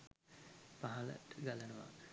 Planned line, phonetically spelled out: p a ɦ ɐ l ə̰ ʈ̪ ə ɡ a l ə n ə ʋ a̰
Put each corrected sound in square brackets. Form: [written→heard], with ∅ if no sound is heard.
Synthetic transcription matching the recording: p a ɦ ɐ l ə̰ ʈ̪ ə ɡ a l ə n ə ʋ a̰